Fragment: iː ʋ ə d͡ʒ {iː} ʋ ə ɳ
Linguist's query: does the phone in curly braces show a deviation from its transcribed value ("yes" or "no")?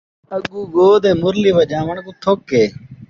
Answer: yes